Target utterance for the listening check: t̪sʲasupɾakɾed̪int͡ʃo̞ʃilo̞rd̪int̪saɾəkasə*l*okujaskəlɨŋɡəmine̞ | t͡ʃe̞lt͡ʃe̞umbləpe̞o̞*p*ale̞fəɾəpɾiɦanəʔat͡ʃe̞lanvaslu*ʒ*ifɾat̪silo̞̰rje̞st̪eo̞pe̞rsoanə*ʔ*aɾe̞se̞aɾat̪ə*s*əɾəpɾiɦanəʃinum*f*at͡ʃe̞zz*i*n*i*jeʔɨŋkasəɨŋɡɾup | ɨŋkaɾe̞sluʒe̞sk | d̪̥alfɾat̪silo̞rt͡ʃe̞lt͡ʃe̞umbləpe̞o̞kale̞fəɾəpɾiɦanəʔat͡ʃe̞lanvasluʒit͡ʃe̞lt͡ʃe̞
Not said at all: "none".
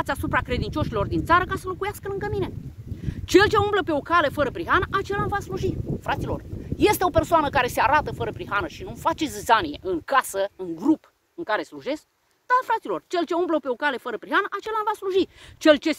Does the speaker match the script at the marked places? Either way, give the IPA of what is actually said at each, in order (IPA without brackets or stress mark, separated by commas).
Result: l, k, ʒ, k, f, f, a, i